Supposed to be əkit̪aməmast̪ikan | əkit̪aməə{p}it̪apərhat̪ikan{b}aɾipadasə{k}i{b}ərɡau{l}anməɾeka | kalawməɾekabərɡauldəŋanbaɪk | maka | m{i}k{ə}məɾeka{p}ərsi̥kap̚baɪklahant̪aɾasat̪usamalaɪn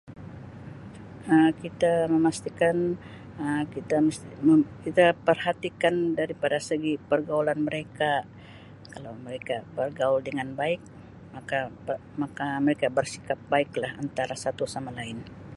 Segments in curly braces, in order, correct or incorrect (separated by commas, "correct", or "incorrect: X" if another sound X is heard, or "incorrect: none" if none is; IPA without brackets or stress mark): incorrect: k, incorrect: d, incorrect: ɡ, incorrect: p, correct, incorrect: a, incorrect: a, incorrect: b